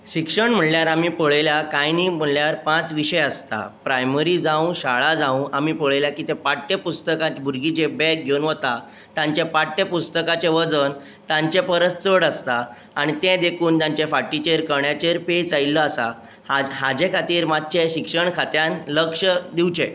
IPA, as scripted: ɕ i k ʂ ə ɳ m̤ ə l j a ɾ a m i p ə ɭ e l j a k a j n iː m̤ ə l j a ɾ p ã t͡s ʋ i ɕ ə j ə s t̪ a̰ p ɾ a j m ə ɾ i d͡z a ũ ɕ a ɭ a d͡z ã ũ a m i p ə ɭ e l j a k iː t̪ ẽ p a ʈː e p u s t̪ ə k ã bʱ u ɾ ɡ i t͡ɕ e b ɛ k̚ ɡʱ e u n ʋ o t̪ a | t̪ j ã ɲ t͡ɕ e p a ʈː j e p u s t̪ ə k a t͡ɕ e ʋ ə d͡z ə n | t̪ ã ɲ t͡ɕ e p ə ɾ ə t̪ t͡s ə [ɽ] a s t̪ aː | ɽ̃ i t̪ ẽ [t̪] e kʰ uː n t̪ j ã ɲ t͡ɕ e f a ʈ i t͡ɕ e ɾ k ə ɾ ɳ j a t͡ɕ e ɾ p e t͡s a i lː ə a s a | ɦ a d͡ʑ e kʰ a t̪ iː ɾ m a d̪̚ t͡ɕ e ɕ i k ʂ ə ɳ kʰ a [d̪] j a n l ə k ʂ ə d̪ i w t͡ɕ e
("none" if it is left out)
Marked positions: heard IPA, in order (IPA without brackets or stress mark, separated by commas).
ɽ, d̪, t̪